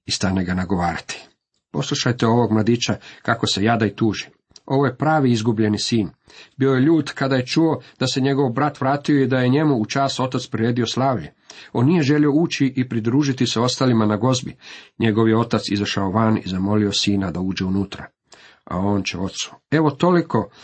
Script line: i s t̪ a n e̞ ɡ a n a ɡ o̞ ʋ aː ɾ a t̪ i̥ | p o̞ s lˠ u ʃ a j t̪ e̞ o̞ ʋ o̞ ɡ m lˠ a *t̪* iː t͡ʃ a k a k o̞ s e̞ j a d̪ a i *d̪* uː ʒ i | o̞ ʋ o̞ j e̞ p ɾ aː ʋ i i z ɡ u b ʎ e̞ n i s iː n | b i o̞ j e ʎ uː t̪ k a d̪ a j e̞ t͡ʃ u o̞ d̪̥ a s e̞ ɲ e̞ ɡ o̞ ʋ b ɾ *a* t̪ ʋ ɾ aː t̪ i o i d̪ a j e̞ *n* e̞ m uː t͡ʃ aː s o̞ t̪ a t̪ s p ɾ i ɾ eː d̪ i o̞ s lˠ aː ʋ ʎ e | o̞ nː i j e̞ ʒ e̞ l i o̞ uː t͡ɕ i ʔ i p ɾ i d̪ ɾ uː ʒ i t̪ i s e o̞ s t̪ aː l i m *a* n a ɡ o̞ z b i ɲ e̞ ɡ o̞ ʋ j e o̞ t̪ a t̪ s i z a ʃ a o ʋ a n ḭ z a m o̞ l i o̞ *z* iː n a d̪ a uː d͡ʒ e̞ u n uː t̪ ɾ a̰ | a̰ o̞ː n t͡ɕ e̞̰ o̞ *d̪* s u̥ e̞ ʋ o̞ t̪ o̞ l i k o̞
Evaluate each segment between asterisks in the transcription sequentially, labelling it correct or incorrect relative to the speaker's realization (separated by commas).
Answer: incorrect, incorrect, correct, incorrect, correct, incorrect, incorrect